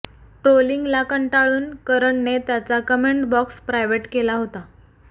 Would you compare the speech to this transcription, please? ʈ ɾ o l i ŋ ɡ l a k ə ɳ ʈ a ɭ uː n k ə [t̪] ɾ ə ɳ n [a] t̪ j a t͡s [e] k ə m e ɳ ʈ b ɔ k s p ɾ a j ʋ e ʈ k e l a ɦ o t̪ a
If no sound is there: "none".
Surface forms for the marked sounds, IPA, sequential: none, e, a

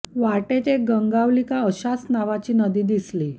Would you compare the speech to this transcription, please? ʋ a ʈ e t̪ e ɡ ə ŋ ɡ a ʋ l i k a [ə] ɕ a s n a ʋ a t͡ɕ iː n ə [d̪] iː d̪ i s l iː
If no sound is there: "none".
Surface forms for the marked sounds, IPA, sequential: ə, d̪

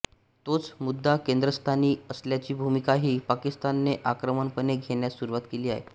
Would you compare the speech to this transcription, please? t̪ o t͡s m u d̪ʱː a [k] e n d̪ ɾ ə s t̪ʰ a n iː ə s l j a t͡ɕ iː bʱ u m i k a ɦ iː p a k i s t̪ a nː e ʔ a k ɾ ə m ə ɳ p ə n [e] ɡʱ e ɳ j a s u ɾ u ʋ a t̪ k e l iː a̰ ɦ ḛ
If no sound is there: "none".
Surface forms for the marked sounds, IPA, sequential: k, e

